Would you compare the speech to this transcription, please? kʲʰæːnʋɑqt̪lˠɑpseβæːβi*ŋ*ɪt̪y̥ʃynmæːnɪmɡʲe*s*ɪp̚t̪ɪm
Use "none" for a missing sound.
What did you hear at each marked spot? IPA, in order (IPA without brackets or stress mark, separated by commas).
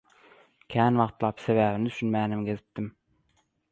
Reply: n, z